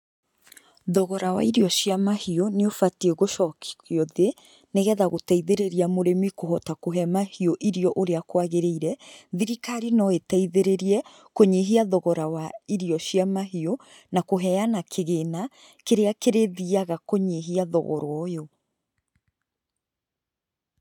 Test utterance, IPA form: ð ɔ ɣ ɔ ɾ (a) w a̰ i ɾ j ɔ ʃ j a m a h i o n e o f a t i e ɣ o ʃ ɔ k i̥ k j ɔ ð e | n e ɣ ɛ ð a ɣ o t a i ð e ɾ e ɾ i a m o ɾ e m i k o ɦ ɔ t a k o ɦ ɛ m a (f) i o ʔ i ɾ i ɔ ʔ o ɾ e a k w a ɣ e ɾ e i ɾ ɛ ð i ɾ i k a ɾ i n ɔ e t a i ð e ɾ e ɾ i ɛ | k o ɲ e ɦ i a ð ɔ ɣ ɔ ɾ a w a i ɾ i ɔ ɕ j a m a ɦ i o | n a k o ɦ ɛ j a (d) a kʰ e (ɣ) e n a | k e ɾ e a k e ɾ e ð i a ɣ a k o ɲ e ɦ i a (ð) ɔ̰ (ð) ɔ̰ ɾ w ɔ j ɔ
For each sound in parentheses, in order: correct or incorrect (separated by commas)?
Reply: correct, incorrect, incorrect, correct, correct, incorrect